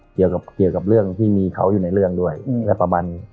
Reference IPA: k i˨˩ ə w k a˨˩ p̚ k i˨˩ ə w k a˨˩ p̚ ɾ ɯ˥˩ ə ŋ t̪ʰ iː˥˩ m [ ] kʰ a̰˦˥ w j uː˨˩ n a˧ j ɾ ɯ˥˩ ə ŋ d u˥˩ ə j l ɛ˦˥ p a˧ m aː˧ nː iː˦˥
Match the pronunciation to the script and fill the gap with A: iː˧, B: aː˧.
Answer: A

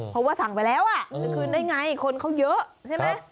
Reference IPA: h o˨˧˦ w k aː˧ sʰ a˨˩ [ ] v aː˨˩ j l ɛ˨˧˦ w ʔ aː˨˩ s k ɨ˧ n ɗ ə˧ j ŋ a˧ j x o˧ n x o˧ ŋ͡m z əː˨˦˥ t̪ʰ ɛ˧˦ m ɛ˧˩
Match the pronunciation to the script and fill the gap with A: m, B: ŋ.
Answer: B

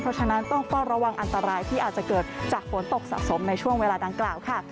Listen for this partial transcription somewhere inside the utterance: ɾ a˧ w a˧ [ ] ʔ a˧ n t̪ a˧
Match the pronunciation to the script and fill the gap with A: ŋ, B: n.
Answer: A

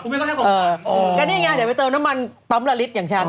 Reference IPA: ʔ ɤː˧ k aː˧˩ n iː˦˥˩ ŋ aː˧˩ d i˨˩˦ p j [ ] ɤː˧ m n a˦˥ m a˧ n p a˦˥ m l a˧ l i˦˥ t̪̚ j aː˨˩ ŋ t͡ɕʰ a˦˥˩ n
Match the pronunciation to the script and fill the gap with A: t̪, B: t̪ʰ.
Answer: A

